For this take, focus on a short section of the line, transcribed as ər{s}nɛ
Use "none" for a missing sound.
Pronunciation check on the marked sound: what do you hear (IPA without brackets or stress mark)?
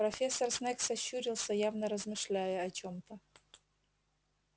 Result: s